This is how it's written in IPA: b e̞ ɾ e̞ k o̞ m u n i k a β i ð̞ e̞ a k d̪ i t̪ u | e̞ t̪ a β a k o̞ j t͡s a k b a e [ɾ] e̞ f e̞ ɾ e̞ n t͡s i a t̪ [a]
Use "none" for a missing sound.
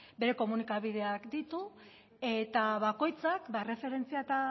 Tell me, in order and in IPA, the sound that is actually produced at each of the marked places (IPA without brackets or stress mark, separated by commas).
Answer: r, a